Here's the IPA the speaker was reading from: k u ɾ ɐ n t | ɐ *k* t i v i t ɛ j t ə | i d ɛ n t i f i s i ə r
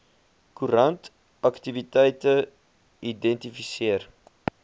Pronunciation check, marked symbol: correct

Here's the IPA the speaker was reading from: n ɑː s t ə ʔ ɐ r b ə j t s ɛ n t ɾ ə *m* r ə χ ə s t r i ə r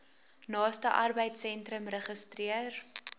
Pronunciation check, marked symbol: correct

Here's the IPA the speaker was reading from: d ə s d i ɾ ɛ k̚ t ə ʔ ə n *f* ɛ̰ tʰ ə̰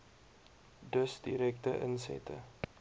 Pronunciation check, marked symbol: incorrect: s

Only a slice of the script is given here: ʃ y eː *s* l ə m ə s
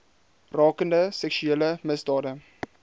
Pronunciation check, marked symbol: incorrect: none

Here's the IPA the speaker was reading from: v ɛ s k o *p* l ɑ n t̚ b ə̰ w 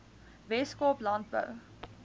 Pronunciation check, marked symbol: correct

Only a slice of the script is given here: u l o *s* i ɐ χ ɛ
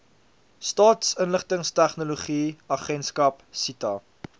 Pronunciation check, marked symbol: incorrect: χ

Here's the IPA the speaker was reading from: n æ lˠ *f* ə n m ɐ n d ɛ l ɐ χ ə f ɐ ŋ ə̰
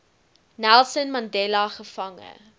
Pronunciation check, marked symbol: incorrect: s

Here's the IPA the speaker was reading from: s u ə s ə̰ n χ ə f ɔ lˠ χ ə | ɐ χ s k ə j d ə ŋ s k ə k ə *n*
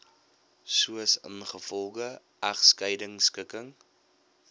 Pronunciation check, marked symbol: incorrect: ŋ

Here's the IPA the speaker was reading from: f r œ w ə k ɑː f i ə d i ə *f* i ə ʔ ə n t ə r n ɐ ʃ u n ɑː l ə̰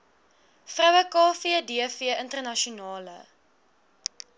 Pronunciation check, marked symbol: correct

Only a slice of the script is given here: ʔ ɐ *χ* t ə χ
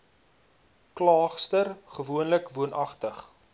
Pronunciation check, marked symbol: correct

